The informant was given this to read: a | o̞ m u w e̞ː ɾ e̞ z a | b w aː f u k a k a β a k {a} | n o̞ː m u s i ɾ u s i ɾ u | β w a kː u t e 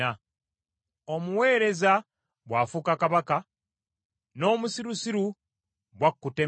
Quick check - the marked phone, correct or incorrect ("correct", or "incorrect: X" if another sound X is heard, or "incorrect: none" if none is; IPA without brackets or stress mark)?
correct